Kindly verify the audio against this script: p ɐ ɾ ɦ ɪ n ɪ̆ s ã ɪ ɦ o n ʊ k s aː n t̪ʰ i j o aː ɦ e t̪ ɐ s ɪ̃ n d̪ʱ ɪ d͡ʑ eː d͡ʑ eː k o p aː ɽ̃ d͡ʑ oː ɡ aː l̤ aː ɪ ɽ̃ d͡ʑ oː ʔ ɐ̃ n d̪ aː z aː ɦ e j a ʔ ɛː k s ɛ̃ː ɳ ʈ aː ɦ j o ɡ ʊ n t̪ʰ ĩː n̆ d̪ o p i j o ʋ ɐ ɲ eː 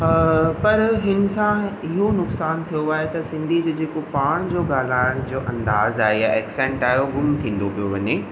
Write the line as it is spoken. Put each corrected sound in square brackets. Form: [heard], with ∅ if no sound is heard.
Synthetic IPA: p ɐ ɾ ɦ ɪ n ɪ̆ s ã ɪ ɦ o n ʊ k s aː n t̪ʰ i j o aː ɦ e t̪ ɐ s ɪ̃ n d̪ʱ [i] d͡ʑ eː d͡ʑ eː k o p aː ɽ̃ d͡ʑ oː ɡ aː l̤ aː ɪ ɽ̃ d͡ʑ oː ʔ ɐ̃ n d̪ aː z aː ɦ e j a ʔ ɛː k s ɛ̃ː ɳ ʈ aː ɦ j o ɡ ʊ [m] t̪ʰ ĩː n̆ d̪ o p i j o ʋ ɐ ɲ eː

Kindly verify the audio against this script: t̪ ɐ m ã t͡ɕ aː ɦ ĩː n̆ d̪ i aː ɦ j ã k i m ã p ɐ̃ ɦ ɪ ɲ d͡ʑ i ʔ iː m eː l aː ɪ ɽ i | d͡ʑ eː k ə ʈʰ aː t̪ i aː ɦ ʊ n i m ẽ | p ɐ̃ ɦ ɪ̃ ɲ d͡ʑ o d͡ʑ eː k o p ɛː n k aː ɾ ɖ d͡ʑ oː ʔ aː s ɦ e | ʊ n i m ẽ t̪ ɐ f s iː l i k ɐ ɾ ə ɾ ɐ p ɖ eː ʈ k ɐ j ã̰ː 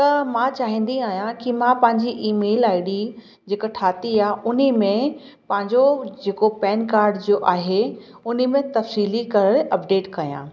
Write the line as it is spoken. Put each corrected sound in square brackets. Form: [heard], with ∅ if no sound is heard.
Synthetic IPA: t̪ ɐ m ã t͡ɕ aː ɦ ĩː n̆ d̪ i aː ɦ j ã k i m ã p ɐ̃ ɦ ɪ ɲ d͡ʑ i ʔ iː m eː l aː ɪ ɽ i | d͡ʑ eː k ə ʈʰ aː t̪ i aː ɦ ʊ n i m ẽ | p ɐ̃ ɦ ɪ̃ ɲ d͡ʑ o d͡ʑ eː k o p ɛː n k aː ɾ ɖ d͡ʑ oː ʔ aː [∅] ɦ e | ʊ n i m ẽ t̪ ɐ f s iː l i k ɐ ɾ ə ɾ ɐ p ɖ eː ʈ k ɐ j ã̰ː

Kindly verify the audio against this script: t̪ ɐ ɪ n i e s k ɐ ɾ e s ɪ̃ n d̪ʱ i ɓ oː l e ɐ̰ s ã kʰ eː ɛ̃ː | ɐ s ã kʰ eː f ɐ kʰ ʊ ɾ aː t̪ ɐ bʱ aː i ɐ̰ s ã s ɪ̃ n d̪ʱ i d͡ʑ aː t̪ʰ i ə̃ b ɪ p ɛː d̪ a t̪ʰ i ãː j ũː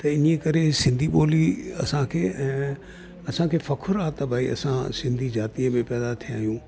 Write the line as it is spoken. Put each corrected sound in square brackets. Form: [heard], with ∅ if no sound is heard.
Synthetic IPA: t̪ ɐ ɪ n i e [∅] k ɐ ɾ e s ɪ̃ n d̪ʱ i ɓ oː l [i] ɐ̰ s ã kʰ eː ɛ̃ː | ɐ s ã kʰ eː f ɐ kʰ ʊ ɾ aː t̪ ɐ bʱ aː i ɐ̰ s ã s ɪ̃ n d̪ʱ i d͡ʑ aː [t̪] i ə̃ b ɪ p ɛː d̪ a t̪ʰ i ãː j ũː

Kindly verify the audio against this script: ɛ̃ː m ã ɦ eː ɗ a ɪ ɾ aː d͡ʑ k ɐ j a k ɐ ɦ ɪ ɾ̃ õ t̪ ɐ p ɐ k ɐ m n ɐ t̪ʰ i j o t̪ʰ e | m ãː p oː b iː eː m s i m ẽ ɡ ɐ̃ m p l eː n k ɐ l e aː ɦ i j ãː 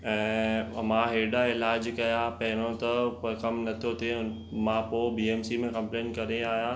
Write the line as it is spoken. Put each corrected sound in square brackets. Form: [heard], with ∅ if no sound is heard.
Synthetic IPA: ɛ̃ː m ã ɦ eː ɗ a ɪ [l] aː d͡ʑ k ɐ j a [p] ɐ ɦ ɪ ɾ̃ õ t̪ ɐ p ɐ k ɐ m n ɐ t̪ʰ i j o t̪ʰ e | m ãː p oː b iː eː m s i m ẽ [k] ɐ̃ m p l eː n k ɐ [ɾ] e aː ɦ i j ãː

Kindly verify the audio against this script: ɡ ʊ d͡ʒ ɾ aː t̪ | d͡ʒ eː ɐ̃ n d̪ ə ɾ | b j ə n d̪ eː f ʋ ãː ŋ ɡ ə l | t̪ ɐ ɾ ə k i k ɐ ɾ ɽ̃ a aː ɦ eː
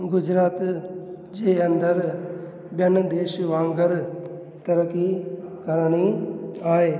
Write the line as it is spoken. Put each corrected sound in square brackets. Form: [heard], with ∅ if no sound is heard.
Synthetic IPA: ɡ ʊ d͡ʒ ɾ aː t̪ | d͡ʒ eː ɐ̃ n d̪ ə ɾ | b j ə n d̪ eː [ʃ] ʋ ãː ŋ ɡ ə [ɾ] | t̪ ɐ ɾ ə k i k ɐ ɾ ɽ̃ [i] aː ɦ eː

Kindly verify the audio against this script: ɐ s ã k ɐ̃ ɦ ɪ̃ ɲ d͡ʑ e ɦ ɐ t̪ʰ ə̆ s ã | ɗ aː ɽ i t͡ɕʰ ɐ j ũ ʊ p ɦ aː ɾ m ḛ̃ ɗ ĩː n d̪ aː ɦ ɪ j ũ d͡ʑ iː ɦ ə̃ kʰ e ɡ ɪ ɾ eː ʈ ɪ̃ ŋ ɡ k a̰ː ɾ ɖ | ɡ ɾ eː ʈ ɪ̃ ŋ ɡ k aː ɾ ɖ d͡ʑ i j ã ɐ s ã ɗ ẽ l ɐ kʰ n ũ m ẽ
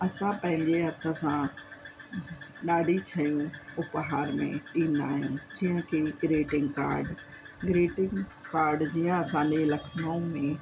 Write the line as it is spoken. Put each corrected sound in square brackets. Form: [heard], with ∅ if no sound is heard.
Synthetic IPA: ɐ s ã [p] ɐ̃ ɦ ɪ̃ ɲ d͡ʑ e ɦ ɐ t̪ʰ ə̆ s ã | ɗ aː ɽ i t͡ɕʰ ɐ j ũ ʊ p ɦ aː ɾ m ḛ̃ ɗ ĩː n d̪ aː ɦ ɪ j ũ d͡ʑ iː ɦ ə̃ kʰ e ɡ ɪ ɾ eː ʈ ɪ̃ ŋ ɡ k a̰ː ɾ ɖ | ɡ ɾ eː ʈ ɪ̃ ŋ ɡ k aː ɾ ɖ d͡ʑ i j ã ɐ s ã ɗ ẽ l ɐ kʰ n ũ m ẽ

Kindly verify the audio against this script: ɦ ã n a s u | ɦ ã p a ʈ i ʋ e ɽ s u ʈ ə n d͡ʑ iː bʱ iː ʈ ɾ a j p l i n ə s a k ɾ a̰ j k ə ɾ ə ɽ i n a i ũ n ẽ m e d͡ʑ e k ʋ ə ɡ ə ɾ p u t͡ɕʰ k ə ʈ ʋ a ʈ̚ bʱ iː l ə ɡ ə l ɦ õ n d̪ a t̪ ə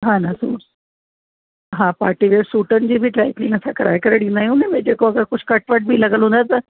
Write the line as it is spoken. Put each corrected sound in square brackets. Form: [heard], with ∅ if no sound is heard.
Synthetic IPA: ɦ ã n a s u | ɦ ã p a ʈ i ʋ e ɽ s u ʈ ə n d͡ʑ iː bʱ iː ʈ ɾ a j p l i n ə s a k ɾ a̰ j k ə ɾ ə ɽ i n a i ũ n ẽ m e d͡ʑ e k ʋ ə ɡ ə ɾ [k] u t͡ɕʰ k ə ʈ ʋ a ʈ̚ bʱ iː l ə ɡ ə l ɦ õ n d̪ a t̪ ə

